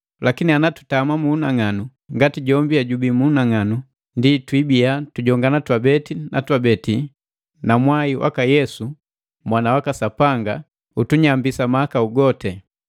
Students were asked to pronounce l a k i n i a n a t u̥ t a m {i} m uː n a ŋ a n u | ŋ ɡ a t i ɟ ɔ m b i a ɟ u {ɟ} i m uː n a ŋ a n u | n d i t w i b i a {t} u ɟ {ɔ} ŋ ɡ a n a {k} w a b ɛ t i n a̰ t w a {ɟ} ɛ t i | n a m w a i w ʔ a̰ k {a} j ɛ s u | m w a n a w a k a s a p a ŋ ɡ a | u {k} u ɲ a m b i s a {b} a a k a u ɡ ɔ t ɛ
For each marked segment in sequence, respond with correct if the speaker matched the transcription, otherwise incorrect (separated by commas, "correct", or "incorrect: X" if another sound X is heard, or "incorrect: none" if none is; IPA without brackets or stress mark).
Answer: incorrect: a, incorrect: b, correct, correct, incorrect: t, incorrect: b, correct, incorrect: t, incorrect: m